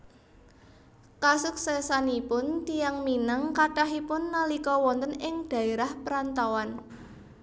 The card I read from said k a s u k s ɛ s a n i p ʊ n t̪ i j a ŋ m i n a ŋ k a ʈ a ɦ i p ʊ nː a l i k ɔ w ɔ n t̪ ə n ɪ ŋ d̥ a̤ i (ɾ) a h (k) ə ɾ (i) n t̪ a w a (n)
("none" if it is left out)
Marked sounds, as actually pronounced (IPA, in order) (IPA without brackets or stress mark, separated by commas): ɾ, p, a, n